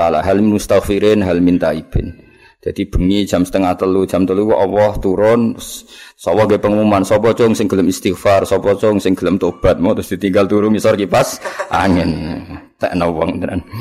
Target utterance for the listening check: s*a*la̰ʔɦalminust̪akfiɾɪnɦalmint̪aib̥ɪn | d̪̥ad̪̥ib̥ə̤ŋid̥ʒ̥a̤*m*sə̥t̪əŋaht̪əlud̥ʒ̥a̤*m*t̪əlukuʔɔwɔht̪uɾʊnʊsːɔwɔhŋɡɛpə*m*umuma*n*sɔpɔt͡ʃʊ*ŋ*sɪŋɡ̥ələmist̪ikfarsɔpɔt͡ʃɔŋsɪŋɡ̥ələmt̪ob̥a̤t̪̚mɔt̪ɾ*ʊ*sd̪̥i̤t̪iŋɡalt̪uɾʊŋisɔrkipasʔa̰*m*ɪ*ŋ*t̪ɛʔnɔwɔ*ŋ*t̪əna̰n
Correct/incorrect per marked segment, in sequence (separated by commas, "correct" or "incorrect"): correct, correct, correct, incorrect, correct, correct, correct, incorrect, incorrect, correct